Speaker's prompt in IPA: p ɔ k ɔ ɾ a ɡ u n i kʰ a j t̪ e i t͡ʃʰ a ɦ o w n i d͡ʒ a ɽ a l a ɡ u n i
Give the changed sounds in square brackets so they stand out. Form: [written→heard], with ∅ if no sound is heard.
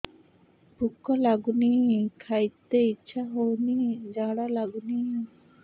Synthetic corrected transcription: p [ɔ→u] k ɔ [ɾ→l] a ɡ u n i kʰ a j t̪ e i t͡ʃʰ a ɦ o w n i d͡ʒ a ɽ a l a ɡ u n i